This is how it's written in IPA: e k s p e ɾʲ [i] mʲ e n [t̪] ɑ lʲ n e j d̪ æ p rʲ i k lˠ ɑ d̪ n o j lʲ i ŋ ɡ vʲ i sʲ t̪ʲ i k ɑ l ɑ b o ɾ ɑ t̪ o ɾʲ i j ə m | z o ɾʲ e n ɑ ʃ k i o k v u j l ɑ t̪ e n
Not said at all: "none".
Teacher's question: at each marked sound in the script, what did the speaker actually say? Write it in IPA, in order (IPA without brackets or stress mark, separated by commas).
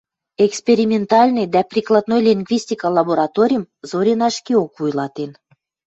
i, t̪